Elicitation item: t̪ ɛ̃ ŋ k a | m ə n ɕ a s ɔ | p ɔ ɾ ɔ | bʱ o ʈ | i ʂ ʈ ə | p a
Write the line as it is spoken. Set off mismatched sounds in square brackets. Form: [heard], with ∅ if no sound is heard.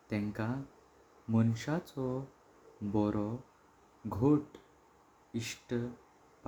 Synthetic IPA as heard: t̪ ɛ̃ ŋ k a | m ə n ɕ a [t͡s] ɔ | [b] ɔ ɾ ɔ | [ɡʱ] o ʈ | i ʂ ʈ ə | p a